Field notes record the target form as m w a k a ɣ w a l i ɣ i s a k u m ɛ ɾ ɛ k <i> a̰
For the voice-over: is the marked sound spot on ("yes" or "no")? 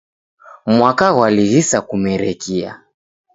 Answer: yes